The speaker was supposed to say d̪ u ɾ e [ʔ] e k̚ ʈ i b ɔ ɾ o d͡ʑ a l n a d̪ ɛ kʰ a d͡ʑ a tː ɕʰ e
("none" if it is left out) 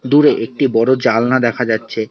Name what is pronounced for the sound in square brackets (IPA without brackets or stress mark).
ʔ